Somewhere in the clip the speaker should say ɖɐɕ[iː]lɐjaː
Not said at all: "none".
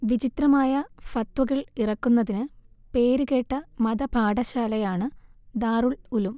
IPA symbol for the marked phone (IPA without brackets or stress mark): aː